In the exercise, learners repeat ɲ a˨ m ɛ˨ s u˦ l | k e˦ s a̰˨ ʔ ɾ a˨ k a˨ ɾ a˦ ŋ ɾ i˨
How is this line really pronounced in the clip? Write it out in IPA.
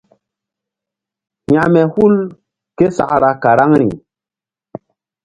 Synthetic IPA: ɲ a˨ m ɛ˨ h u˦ l | k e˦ s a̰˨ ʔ ɾ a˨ k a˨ ɾ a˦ ŋ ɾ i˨